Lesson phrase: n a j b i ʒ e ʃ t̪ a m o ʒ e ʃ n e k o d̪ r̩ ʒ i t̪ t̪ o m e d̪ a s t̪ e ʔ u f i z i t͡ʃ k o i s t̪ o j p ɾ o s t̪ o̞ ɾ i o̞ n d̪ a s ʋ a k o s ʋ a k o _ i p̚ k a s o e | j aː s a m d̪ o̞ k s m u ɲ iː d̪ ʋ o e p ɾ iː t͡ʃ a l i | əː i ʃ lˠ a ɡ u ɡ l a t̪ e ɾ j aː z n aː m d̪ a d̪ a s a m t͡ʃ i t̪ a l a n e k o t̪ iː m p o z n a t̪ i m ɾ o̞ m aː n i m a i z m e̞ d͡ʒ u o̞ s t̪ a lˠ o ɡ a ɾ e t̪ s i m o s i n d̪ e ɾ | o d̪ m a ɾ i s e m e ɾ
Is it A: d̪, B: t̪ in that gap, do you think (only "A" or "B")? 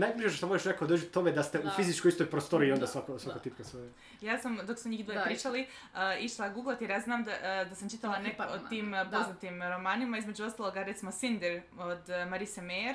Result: B